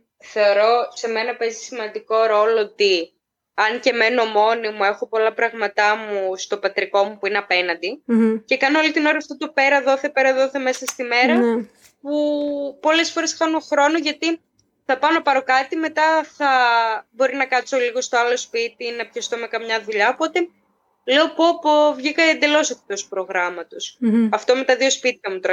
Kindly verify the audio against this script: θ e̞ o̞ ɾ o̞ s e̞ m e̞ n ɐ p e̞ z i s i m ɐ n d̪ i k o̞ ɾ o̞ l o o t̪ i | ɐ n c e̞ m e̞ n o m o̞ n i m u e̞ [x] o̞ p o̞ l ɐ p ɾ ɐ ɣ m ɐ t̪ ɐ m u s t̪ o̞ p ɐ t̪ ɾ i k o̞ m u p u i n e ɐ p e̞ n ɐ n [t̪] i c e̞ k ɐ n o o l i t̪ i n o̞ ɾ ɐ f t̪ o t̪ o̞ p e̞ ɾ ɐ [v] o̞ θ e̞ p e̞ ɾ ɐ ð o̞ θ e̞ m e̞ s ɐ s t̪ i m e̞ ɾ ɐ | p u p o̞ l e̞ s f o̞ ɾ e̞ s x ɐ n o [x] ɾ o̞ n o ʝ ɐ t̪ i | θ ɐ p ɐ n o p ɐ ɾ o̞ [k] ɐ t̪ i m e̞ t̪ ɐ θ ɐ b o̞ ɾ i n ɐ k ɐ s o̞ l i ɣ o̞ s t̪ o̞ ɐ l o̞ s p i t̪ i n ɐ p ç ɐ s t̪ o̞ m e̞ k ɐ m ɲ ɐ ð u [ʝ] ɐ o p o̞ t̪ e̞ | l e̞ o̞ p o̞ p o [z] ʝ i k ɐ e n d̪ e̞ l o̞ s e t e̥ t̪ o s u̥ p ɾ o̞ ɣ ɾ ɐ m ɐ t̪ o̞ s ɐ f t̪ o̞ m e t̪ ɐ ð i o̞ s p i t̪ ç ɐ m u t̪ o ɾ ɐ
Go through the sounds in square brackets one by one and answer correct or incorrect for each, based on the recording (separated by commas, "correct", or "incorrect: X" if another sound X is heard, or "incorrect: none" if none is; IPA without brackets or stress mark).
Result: correct, incorrect: d̪, incorrect: ð, correct, correct, incorrect: ʎ, incorrect: v